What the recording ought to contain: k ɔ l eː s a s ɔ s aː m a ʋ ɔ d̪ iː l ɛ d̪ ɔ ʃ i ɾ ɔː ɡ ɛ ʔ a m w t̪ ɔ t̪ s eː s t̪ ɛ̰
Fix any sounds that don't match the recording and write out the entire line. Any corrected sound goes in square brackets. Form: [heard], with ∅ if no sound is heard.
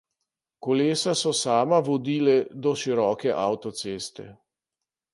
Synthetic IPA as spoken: k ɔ l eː s a s ɔ s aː m a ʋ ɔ d̪ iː l ɛ d̪ ɔ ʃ i ɾ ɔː [k] ɛ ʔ a [∅] w t̪ ɔ t̪ s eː s t̪ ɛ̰